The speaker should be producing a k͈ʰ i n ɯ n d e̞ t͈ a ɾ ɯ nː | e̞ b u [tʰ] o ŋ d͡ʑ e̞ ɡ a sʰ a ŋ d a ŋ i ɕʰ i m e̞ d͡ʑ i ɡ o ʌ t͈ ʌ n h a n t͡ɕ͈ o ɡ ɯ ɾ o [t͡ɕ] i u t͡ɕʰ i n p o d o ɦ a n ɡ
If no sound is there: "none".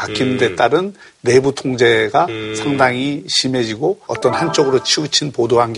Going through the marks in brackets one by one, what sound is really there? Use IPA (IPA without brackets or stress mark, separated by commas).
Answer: tʰ, t͡ɕʰ